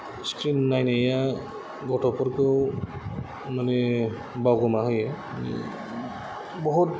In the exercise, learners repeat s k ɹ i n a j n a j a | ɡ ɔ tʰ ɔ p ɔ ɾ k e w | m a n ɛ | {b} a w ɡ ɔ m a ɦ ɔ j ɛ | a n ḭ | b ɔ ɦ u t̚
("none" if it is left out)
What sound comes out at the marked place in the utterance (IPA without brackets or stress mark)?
b